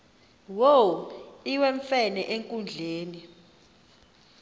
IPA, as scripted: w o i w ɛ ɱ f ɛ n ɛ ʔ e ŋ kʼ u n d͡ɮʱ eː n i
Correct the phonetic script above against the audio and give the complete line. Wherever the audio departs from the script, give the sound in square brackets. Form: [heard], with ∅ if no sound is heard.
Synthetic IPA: w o i w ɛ ɱ f ɛ n ɛ ʔ e ŋ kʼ u n d͡ɮʱ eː n i